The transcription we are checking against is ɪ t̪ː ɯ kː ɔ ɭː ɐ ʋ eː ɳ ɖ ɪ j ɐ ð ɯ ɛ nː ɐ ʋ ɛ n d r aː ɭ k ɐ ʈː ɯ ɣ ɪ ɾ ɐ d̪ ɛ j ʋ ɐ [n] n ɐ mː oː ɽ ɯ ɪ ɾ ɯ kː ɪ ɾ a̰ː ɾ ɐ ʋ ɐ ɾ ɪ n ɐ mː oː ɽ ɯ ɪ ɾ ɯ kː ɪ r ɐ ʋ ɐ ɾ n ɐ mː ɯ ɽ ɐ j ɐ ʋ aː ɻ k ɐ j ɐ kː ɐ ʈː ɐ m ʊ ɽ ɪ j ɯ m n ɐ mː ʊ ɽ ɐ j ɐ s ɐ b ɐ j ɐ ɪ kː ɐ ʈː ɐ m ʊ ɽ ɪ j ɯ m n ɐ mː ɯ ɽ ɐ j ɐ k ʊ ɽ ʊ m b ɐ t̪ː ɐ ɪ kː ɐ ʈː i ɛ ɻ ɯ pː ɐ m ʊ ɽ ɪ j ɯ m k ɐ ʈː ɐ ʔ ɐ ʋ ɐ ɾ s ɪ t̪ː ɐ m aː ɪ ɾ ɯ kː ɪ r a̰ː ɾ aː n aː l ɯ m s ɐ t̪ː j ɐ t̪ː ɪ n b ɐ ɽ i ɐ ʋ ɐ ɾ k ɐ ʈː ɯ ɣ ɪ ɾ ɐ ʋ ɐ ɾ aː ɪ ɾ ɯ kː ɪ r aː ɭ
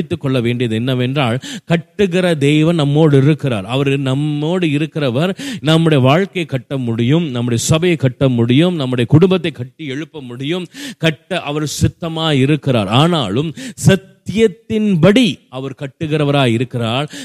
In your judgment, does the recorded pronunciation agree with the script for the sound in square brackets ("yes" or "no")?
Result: yes